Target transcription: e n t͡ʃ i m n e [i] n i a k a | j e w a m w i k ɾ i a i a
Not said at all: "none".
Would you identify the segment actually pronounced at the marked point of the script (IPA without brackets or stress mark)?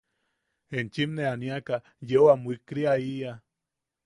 a